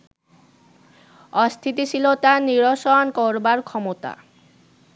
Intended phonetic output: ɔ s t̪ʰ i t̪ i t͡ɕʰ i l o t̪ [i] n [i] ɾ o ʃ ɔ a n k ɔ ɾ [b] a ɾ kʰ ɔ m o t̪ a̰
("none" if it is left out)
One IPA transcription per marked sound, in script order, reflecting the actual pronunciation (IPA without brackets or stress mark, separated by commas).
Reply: a, i, b